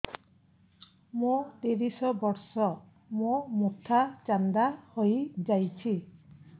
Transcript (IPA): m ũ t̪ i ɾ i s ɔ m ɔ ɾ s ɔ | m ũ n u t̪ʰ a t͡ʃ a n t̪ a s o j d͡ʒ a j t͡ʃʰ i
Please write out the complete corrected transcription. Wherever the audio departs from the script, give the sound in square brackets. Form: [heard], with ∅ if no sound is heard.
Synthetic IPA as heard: m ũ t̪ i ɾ i s ɔ [b] ɔ ɾ s ɔ | m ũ [m] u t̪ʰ a t͡ʃ a n [d̪] a [h] o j d͡ʒ a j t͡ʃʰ i